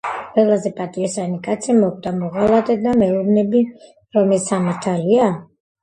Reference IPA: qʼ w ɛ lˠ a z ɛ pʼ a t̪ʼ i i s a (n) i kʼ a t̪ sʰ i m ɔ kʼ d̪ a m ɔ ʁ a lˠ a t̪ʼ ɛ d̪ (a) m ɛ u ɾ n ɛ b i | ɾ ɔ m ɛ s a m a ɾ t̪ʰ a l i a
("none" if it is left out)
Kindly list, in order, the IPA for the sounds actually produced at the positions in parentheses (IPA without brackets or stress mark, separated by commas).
n, a